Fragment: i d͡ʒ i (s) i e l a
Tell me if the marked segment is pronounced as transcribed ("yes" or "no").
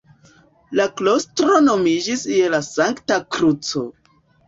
yes